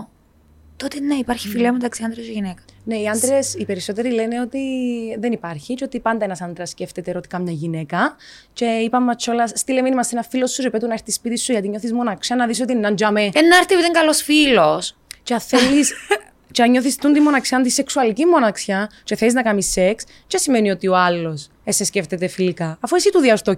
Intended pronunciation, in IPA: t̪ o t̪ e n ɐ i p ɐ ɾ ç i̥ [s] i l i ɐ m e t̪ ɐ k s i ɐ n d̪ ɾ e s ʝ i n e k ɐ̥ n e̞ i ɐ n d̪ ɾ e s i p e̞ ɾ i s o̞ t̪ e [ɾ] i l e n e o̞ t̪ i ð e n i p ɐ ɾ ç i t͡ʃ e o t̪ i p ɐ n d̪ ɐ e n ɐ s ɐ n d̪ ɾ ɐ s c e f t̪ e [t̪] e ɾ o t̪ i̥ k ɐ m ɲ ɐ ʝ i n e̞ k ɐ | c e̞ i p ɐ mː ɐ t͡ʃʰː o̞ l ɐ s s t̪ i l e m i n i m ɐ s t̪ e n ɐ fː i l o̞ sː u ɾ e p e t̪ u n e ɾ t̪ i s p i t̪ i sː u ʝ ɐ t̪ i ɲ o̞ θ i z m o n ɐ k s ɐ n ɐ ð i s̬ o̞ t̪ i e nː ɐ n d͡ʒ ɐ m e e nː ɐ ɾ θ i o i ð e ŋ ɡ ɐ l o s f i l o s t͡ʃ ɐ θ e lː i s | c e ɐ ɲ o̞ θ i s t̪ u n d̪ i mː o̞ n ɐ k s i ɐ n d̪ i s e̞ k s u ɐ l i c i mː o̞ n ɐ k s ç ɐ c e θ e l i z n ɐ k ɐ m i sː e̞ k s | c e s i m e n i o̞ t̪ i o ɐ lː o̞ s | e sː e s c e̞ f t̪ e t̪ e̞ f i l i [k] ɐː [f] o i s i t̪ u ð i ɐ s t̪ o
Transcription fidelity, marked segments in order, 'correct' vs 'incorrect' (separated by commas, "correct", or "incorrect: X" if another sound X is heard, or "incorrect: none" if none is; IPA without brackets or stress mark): incorrect: f, correct, correct, correct, correct